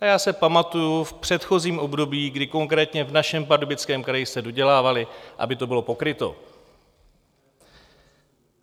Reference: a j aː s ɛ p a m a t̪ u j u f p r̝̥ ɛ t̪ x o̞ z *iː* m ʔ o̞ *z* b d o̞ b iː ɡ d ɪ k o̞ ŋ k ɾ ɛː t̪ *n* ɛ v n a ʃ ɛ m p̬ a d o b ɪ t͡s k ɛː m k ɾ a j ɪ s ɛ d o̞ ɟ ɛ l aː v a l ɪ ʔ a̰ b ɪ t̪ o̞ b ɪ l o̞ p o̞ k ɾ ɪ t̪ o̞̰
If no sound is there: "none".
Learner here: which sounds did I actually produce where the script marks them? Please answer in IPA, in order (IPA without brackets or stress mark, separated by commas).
iː, none, ɲ